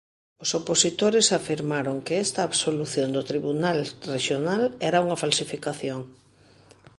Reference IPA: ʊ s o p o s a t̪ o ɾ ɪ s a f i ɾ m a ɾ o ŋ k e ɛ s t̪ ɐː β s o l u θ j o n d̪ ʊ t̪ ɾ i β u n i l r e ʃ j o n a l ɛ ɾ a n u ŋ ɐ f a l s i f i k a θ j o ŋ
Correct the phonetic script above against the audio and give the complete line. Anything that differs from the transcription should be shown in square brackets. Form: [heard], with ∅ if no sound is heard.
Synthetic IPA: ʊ s o p o s [i] t̪ o ɾ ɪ s a f i ɾ m a ɾ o ŋ k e ɛ s t̪ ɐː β s o l u θ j o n d̪ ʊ t̪ ɾ i β u n [a] l r e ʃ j o n a l ɛ ɾ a [∅] u ŋ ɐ f a l s i f i k a θ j o ŋ